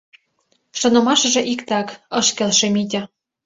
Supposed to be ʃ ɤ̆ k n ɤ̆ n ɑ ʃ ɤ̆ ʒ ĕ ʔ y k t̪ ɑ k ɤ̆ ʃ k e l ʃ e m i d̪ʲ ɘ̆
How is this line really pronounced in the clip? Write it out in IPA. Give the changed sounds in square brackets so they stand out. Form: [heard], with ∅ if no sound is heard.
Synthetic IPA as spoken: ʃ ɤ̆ [∅] n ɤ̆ [m] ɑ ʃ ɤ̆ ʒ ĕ ʔ [i] k t̪ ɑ k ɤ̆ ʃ k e l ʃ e m i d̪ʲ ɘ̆